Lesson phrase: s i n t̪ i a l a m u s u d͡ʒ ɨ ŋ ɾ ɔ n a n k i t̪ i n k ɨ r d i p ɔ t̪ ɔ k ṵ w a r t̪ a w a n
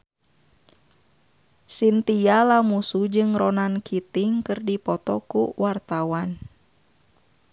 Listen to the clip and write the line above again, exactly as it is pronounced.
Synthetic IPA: s i n t̪ i a l a m u s u d͡ʒ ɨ ŋ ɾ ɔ n a n k i t̪ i ŋ k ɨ r d i p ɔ t̪ ɔ k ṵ w a r t̪ a w a n